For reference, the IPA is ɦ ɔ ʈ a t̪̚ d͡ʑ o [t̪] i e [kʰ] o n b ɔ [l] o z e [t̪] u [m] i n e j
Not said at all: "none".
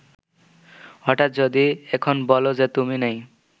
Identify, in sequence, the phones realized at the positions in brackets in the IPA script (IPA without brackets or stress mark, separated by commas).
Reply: d̪, kʰ, l, t̪, m